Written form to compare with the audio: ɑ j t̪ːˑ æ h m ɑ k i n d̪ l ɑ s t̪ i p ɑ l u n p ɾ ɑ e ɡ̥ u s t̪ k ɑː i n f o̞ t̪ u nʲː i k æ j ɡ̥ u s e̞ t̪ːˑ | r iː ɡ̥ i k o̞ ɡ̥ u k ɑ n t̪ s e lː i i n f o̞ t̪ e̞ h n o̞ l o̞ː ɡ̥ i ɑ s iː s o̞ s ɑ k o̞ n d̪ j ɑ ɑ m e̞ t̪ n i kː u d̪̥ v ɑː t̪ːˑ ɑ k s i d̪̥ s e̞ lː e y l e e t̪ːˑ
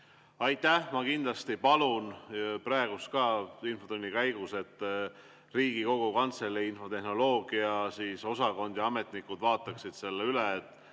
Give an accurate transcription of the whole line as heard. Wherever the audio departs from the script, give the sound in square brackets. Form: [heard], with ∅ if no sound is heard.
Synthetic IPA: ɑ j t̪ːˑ æ h m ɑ k i n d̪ l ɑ s t̪ i p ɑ l u n p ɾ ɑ e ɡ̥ u s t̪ k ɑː i n f o̞ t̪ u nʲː i k æ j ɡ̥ u s e̞ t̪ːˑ | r iː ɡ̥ i k o̞ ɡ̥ u k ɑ n t̪ s e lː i i n f o̞ t̪ e̞ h n o̞ l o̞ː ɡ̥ i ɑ s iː s o̞ s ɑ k o̞ n d̪ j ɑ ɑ m e̞ t̪ n i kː u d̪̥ v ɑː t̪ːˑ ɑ k s i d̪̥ s e̞ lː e y l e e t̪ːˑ